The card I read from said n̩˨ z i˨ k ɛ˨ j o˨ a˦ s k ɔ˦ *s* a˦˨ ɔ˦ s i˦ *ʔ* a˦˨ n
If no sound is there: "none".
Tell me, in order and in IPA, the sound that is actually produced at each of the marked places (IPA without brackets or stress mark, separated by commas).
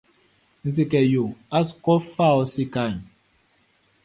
f, k